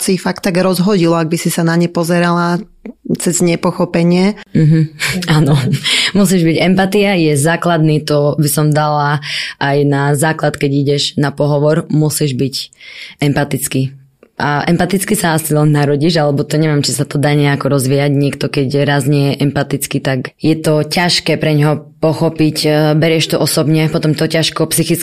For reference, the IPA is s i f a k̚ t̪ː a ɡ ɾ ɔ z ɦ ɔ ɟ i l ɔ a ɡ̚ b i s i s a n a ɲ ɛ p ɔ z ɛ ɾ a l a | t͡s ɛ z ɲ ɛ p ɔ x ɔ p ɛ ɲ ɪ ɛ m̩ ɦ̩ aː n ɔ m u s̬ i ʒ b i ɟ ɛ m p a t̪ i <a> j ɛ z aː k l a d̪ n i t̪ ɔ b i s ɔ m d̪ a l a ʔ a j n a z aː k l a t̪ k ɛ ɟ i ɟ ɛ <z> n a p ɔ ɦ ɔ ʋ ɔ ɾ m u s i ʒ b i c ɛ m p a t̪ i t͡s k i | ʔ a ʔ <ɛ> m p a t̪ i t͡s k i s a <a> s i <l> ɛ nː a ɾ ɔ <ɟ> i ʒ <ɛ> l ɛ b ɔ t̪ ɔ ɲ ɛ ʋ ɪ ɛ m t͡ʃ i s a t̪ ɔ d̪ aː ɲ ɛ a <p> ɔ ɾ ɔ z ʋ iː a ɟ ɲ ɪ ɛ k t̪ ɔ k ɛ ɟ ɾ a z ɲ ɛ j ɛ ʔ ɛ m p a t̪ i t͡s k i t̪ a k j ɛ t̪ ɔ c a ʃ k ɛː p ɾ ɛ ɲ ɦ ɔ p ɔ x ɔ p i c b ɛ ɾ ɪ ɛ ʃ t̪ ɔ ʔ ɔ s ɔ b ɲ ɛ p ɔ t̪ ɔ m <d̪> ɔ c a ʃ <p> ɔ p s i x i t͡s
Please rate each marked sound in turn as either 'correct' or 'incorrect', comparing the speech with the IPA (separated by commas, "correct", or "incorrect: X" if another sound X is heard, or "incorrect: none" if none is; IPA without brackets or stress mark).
correct, incorrect: ʒ, correct, correct, correct, correct, incorrect: a, incorrect: k, incorrect: t̪, incorrect: k